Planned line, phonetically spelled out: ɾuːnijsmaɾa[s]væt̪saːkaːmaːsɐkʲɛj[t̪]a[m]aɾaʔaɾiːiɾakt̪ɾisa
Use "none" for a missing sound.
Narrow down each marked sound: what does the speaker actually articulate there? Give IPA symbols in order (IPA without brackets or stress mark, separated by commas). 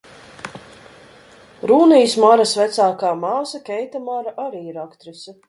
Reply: s, t̪, m